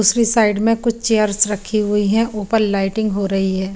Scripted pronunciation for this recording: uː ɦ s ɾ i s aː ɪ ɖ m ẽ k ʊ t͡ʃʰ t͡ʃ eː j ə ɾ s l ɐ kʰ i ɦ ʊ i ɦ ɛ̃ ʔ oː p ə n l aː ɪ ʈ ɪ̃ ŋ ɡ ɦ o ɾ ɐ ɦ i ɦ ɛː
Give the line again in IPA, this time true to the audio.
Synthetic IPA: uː s ɾ i s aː ɪ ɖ m ẽ k ʊ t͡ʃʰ t͡ʃ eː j ə ɾ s ɾ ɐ kʰ i ɦ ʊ i ɦ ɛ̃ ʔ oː p ə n l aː ɪ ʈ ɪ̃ ŋ ɡ ɦ o ɾ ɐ ɦ i ɦ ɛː